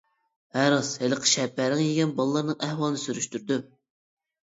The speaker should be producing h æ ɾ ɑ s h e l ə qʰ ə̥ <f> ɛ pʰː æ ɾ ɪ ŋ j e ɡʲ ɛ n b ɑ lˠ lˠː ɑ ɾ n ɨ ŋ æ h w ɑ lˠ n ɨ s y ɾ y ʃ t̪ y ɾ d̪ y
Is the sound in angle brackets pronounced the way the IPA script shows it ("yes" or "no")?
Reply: no